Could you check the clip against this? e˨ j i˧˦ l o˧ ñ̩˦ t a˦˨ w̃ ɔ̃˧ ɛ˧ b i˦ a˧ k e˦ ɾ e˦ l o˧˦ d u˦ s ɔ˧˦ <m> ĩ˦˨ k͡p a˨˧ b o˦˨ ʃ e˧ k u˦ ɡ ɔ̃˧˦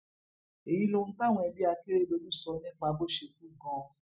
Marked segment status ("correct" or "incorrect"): incorrect